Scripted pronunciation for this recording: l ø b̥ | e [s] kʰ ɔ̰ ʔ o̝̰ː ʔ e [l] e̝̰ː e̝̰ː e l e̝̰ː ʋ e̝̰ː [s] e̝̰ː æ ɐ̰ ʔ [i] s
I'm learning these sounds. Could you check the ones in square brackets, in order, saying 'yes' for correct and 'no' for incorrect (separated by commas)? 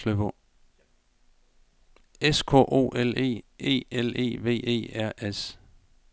yes, yes, no, no